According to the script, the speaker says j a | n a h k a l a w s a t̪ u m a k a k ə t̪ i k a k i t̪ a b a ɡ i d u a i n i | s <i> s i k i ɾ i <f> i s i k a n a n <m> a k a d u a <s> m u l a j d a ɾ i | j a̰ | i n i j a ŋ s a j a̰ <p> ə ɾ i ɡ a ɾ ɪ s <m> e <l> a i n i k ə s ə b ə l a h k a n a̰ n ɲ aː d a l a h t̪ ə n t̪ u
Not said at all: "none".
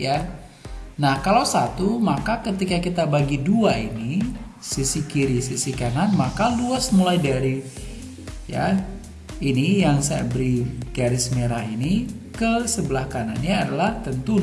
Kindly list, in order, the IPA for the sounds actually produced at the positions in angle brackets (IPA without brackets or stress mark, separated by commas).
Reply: i, s, m, s, b, m, ɾ